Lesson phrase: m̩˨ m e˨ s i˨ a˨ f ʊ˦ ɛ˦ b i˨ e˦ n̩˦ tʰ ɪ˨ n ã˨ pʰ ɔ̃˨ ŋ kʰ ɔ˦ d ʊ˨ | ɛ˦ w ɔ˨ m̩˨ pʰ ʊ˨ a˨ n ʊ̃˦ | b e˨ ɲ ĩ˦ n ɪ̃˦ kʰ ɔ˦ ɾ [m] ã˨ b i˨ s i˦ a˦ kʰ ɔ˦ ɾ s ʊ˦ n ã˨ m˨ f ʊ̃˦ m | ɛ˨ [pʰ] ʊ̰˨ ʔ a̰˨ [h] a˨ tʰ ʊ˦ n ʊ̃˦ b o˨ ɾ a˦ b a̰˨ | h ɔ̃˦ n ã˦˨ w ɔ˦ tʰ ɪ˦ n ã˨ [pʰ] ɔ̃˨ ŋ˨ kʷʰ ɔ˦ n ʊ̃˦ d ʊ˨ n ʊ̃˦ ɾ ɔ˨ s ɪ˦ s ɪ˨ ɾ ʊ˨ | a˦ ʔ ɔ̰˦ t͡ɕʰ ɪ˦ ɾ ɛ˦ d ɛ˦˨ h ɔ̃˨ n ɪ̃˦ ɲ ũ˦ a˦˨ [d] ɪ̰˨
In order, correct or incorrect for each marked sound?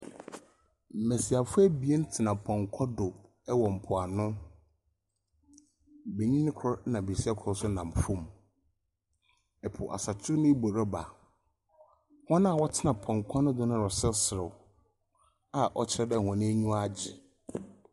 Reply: incorrect: n, correct, incorrect: s, correct, incorrect: d͡ʑ

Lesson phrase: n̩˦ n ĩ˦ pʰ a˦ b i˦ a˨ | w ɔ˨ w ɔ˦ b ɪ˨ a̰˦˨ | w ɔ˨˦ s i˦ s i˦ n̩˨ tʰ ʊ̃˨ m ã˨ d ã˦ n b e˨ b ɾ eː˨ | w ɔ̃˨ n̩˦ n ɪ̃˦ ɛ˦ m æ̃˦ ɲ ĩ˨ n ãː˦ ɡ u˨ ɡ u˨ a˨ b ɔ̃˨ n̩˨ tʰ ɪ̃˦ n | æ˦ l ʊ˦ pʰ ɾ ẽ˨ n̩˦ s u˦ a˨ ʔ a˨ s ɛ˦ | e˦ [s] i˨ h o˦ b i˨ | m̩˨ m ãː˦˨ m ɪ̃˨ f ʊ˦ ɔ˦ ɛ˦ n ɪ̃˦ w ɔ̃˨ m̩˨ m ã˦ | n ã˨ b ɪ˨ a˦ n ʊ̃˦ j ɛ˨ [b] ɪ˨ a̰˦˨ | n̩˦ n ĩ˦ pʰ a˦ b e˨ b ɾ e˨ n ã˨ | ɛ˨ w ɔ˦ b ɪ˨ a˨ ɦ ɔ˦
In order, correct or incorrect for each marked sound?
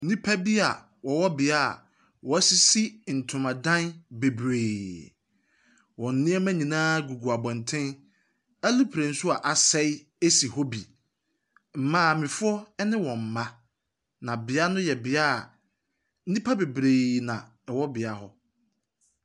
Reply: correct, correct

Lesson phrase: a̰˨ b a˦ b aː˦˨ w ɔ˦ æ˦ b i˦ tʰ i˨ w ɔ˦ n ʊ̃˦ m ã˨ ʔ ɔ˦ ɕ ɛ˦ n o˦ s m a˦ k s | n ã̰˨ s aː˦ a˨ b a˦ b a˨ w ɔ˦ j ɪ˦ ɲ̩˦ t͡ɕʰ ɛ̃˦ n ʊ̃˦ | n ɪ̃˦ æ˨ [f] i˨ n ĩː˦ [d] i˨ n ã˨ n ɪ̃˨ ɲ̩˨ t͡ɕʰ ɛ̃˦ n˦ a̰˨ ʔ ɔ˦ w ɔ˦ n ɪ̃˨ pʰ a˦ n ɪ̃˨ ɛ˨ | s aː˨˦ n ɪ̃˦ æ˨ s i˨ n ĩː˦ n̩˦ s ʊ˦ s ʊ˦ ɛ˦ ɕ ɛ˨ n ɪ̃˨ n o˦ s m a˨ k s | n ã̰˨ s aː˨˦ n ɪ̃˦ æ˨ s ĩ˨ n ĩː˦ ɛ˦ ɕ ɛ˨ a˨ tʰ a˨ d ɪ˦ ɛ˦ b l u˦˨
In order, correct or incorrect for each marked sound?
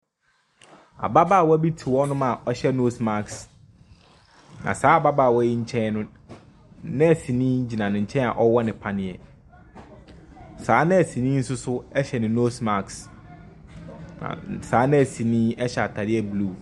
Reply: incorrect: s, incorrect: d͡ʑ

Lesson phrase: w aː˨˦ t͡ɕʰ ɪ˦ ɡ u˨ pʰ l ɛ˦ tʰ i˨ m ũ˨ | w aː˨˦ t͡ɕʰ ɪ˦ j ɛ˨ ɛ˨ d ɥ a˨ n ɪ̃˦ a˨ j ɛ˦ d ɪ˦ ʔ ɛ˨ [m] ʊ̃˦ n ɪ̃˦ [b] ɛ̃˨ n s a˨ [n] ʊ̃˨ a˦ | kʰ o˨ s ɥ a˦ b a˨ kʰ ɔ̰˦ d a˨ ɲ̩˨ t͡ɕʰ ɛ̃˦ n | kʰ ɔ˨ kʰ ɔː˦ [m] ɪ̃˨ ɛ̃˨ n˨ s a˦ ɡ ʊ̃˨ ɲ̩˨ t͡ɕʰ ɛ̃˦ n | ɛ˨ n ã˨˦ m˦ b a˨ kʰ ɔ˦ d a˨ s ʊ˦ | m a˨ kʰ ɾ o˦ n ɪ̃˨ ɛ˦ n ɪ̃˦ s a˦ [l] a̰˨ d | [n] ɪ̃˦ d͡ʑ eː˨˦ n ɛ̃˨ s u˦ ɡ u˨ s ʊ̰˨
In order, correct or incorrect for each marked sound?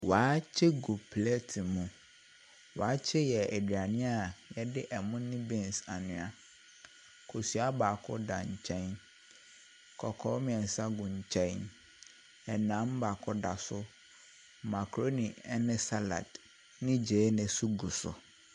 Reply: correct, correct, correct, correct, correct, correct

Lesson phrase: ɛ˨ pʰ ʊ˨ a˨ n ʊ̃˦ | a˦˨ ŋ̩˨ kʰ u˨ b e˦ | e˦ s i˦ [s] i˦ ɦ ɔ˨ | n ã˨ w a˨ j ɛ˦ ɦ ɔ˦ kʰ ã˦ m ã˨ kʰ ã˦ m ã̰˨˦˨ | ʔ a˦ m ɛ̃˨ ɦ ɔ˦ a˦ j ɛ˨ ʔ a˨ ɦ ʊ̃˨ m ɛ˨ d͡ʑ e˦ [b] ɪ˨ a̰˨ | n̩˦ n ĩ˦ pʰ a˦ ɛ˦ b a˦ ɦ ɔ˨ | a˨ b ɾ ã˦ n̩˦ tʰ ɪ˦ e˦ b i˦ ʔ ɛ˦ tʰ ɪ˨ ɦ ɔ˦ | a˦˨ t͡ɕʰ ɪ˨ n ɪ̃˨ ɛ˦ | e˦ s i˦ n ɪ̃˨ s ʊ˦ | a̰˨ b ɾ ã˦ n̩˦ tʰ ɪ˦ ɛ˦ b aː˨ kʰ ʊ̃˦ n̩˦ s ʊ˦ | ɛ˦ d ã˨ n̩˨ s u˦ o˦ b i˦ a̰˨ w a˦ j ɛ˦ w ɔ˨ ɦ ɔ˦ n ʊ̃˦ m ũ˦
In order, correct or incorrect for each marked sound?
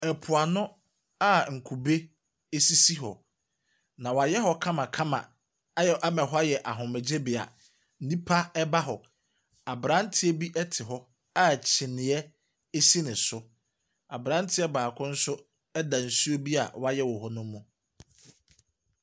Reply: correct, correct

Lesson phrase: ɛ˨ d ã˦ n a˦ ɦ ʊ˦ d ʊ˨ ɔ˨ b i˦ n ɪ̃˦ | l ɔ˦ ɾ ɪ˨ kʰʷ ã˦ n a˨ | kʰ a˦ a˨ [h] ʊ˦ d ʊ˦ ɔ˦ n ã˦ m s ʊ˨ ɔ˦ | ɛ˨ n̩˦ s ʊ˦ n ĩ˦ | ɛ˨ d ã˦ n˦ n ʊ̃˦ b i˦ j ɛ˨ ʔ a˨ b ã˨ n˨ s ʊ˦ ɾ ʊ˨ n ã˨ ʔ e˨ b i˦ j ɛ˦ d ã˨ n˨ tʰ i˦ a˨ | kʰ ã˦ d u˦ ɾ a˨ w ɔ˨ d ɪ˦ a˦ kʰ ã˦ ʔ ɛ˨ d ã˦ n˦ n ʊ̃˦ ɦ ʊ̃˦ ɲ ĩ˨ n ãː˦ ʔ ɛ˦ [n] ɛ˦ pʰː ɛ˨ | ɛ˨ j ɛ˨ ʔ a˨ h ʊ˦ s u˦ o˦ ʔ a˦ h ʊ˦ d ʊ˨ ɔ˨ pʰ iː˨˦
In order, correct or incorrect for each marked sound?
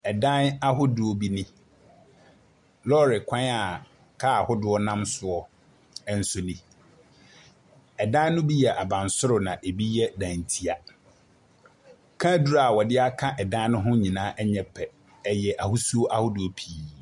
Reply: correct, incorrect: ɲ

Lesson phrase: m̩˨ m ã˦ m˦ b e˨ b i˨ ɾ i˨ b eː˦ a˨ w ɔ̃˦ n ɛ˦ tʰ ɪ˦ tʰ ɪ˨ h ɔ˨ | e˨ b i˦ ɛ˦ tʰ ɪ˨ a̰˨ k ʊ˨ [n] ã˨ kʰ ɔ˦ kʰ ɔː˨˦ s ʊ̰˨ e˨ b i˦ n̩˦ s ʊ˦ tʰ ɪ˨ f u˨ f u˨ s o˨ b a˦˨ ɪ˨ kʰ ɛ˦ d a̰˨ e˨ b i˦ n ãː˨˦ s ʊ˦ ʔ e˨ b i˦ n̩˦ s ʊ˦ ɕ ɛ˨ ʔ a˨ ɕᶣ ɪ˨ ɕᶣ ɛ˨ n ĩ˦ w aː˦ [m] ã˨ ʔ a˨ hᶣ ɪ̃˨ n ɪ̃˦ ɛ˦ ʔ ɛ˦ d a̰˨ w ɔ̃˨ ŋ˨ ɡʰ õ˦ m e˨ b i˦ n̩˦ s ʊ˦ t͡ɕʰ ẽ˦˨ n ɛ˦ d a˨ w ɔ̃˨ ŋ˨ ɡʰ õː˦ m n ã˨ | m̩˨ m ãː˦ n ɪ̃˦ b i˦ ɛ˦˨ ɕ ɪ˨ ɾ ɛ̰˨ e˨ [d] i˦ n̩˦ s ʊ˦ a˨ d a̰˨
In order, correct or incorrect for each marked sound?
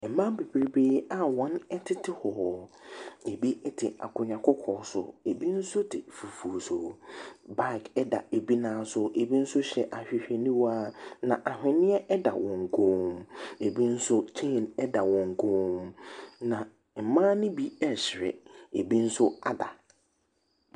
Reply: incorrect: ɲ, incorrect: n, incorrect: b

